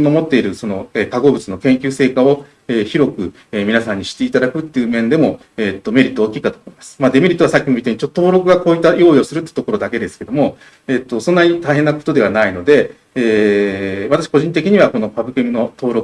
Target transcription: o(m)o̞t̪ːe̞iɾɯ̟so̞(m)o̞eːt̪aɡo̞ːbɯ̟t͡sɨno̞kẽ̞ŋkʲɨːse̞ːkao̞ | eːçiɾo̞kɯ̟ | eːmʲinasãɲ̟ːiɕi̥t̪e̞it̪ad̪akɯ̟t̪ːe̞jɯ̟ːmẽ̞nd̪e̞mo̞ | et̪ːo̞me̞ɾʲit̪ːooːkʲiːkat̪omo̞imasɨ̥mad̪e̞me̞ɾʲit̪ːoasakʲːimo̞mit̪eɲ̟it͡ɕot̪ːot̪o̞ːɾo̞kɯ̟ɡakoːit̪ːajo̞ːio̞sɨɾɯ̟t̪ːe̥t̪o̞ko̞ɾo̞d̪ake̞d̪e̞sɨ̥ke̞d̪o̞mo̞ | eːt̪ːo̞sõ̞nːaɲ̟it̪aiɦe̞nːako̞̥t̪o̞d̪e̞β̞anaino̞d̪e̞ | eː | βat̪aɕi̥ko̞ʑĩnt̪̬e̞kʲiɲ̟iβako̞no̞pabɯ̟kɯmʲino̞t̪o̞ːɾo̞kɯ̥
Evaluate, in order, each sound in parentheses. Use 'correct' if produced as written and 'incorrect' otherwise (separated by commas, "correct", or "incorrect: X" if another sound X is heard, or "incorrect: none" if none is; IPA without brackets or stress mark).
correct, incorrect: n